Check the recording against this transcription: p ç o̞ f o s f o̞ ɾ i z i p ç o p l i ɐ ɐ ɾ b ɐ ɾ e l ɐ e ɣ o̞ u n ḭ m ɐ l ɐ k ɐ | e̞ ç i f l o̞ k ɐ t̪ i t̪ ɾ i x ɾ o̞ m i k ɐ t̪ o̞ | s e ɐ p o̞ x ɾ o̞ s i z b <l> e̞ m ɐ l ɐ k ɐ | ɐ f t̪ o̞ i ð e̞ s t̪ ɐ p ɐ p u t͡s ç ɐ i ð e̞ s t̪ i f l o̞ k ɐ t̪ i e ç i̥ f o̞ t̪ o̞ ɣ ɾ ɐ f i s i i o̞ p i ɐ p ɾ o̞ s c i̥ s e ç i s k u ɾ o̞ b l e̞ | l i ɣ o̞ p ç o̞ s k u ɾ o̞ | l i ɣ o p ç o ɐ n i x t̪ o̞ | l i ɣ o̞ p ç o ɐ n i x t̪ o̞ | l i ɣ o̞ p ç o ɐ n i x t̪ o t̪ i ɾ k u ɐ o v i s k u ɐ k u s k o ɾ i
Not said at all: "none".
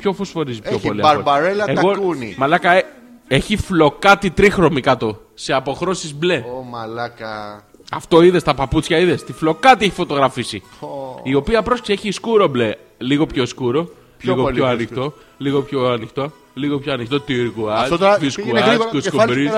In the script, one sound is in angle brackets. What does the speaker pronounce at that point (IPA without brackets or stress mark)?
l